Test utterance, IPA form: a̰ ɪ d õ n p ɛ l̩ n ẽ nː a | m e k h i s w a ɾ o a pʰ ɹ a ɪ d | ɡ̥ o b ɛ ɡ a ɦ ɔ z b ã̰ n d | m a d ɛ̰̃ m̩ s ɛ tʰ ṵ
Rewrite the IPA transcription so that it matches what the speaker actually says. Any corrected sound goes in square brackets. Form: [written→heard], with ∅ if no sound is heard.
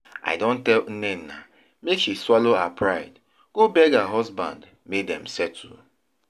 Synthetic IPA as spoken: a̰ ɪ d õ n [p→t] ɛ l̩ n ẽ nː a | m e k [h→ʃ] i s w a [ɾ→l] o a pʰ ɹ a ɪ d | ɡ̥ o b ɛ ɡ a ɦ ɔ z b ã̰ n d | m [a→e] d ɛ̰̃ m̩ s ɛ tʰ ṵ